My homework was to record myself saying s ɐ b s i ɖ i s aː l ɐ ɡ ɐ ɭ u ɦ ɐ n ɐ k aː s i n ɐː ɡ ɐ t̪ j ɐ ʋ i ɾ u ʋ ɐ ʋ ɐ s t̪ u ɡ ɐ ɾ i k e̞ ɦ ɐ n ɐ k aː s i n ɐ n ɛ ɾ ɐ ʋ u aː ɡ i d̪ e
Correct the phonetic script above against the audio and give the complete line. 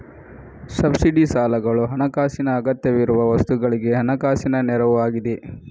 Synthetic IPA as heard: s ɐ b s i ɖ i s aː l ɐ ɡ ɐ ɭ u ɦ ɐ n ɐ k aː s i n ɐː ɡ ɐ t̪ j ɐ ʋ i ɾ u ʋ ɐ ʋ ɐ s t̪ u ɡ ɐ ɭ i ɡ e̞ ɦ ɐ n ɐ k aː s i n ɐ n ɛ ɾ ɐ ʋ u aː ɡ i d̪ e